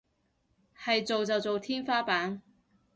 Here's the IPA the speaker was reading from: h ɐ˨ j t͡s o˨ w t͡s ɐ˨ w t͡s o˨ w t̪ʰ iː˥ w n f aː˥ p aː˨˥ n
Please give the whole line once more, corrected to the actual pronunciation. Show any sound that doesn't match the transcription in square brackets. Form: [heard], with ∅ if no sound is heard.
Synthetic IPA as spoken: h ɐ˨ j t͡s o˨ w t͡s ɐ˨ w t͡s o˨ w t̪ʰ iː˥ [∅] n f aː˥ p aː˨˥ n